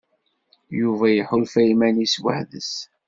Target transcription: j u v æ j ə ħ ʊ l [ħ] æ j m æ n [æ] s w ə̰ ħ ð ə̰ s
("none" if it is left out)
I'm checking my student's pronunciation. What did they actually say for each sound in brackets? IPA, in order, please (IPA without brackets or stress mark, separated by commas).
f, i